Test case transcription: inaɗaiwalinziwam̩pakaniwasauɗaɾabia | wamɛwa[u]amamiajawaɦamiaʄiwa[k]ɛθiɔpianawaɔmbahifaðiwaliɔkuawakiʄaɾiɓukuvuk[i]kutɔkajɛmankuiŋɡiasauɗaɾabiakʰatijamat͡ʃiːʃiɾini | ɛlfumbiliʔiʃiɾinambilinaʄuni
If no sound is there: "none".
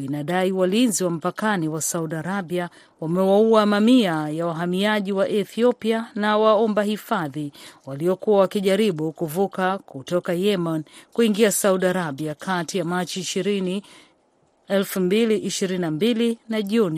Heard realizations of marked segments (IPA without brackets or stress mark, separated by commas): u, ʔ, a